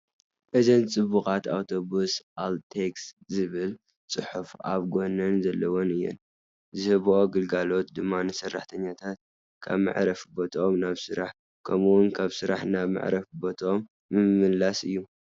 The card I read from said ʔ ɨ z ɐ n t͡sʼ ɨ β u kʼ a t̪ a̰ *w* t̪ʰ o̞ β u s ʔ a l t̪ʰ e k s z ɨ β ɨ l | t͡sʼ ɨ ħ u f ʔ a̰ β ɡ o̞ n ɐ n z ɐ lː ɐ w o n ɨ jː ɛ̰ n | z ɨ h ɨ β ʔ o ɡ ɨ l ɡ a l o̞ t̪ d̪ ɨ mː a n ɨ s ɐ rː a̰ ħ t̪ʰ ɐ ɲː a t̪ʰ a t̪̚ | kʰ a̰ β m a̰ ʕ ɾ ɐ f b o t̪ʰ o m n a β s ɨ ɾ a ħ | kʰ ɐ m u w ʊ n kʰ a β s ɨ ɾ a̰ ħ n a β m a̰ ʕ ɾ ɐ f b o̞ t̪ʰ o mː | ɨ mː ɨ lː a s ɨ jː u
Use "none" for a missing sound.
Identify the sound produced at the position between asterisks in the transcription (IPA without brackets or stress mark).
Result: w